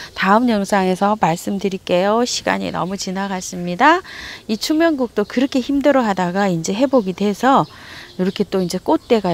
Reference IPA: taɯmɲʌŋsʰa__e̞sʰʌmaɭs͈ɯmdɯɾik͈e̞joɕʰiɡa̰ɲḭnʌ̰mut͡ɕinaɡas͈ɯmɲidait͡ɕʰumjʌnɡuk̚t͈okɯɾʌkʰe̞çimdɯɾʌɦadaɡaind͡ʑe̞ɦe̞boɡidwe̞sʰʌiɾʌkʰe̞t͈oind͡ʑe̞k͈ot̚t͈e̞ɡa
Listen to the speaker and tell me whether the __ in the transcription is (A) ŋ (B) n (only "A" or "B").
A